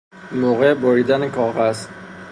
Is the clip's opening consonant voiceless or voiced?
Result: voiced